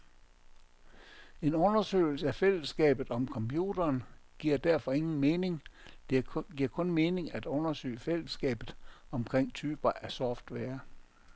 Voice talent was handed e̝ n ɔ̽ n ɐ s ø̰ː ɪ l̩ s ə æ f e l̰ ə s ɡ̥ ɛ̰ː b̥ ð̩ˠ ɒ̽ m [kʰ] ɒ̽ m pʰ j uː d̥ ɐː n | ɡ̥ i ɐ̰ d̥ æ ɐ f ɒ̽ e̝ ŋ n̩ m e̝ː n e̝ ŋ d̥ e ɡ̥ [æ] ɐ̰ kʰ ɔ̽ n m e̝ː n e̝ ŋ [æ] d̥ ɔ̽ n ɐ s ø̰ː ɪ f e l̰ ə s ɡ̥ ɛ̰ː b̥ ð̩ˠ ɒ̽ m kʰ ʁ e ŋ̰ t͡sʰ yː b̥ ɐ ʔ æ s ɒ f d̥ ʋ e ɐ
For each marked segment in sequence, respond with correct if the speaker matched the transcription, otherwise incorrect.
correct, incorrect: i, correct

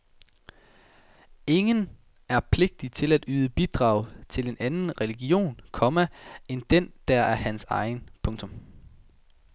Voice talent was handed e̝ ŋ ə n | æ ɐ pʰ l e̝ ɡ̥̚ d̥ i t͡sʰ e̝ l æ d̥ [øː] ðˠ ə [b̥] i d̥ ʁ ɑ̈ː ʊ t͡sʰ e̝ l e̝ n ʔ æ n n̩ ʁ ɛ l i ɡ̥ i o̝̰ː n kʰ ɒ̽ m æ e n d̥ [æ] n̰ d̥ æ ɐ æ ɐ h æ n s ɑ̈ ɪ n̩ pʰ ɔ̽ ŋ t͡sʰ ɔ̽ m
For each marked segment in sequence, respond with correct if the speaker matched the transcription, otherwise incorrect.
incorrect: yː, correct, incorrect: e

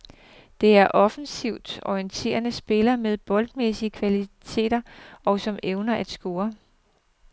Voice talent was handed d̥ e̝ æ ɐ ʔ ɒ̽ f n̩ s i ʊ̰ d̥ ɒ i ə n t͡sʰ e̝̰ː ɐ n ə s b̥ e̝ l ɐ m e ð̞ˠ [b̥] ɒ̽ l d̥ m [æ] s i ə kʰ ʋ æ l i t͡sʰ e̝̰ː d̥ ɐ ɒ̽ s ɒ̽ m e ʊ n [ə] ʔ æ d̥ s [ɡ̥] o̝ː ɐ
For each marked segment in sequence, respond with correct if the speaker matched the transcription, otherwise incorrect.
correct, incorrect: e, incorrect: ɐ, correct

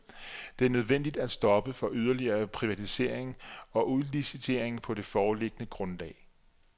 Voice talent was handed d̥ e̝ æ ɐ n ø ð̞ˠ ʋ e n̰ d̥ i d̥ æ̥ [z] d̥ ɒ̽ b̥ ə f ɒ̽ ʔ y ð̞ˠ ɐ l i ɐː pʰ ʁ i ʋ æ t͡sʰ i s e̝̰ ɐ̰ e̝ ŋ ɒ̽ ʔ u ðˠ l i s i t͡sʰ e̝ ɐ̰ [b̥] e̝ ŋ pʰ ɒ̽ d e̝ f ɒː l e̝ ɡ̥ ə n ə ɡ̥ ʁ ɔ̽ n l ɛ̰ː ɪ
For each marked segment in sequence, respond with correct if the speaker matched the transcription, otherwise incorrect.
incorrect: s, incorrect: none

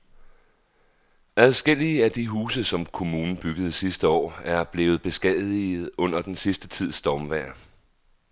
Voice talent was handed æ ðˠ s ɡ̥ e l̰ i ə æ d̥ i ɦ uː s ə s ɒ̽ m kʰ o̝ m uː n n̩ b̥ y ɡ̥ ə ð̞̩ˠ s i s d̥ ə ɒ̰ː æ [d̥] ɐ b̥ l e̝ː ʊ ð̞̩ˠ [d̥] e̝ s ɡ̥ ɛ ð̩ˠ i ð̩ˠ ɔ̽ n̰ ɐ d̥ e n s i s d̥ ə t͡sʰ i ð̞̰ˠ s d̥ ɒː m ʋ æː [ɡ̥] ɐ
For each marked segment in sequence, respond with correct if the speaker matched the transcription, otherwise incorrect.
incorrect: none, incorrect: b̥, incorrect: none

